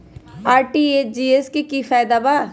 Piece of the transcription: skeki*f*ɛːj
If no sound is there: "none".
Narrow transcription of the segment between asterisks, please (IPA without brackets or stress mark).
f